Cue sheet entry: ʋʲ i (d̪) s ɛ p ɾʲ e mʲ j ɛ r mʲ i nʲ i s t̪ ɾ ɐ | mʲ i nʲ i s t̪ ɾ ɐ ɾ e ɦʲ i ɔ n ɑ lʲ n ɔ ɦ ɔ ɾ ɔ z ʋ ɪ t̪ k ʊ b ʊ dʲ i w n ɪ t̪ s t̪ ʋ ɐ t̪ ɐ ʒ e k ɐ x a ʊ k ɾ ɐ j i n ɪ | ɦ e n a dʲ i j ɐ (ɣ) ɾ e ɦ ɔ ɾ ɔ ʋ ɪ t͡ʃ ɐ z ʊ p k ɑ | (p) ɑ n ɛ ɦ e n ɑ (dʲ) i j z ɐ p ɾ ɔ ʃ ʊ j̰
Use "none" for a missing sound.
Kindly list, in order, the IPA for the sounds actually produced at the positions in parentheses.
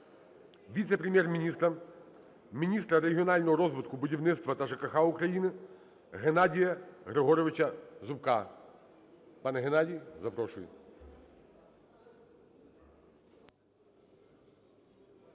t̪, ɣ, p, dʲ

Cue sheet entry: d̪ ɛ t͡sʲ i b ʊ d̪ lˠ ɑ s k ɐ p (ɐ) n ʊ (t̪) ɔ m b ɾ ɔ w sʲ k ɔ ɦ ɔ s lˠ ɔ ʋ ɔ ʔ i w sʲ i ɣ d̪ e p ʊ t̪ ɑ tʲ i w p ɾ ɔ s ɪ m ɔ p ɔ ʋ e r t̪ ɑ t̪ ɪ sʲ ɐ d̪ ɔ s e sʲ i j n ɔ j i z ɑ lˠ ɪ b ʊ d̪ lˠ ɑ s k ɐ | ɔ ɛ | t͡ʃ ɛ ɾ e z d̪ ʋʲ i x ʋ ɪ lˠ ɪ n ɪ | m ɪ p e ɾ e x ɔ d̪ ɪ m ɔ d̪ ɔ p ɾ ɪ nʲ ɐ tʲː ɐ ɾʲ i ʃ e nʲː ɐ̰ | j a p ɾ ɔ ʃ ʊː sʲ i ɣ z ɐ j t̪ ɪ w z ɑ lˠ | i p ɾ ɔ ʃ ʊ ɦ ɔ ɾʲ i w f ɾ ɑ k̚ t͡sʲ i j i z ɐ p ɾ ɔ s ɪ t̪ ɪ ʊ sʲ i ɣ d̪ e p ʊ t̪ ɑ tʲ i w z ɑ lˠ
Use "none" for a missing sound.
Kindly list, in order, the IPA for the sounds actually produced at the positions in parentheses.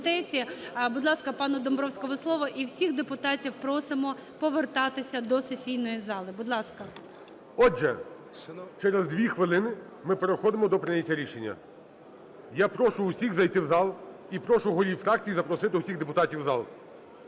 ɑ, d̪

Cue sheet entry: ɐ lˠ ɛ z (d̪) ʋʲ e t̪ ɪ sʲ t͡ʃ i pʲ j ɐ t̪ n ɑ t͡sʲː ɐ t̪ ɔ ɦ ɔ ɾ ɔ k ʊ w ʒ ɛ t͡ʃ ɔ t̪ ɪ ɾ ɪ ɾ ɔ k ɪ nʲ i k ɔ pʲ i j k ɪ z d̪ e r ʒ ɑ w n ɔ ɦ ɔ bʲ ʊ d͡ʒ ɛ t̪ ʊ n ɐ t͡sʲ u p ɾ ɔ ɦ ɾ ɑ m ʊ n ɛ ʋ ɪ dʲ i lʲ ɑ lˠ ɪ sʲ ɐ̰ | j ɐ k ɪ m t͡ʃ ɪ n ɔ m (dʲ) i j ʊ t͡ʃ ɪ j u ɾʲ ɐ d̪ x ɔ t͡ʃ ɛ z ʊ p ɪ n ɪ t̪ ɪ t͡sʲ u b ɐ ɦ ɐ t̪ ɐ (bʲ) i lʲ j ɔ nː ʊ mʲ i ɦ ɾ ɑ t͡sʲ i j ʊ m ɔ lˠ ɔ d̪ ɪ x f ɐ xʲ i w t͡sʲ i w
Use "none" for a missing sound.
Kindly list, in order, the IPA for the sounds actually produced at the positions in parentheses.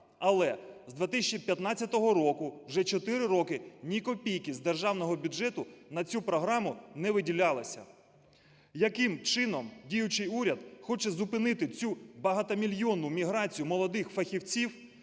d̪, dʲ, mʲ

